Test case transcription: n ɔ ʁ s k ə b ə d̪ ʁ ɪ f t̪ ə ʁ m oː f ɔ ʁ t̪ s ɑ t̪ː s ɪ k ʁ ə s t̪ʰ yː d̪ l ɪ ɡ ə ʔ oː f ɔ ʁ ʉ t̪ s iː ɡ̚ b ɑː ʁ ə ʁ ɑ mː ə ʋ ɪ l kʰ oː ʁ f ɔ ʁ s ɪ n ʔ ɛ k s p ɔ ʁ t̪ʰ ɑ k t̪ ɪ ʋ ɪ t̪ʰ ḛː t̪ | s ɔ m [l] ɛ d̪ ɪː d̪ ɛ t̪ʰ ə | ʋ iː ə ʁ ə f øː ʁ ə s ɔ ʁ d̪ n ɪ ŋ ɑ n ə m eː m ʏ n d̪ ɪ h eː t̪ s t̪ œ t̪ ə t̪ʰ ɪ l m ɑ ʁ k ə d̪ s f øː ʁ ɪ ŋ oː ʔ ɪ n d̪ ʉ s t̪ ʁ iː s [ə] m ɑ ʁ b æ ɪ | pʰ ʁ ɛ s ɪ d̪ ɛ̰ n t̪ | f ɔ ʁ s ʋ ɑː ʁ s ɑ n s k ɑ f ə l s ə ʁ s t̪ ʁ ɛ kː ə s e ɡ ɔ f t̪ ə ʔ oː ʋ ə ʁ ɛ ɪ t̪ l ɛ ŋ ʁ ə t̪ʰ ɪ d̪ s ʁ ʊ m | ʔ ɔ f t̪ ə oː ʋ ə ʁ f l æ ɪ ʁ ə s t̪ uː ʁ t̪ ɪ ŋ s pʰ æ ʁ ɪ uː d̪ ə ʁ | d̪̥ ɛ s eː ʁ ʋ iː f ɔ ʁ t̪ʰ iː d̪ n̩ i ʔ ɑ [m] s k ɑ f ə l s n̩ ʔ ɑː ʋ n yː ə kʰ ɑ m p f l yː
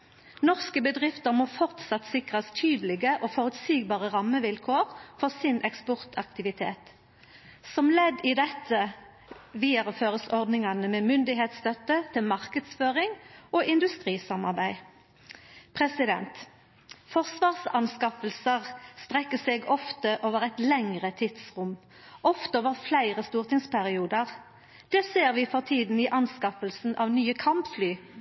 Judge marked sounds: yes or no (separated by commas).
yes, no, no